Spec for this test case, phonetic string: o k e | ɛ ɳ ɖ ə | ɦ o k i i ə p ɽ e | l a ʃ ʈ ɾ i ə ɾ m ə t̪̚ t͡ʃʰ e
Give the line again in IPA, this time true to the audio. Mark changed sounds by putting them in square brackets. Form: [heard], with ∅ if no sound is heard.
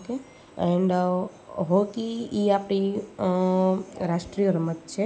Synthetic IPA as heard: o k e | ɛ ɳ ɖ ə | ɦ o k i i [a] p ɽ [i] | [ɾ] a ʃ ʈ ɾ i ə ɾ m ə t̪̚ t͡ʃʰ e